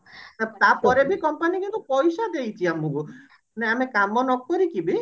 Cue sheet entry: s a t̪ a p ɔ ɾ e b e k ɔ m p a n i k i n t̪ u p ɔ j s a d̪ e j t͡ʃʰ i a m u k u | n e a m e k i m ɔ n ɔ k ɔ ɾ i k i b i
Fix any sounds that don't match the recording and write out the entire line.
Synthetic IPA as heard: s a t̪ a p ɔ ɾ e b i k ɔ m p a n i k i n t̪ u p ɔ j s a d̪ e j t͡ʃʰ i a m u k u | n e a m e k a m ɔ n ɔ k ɔ ɾ i k i b i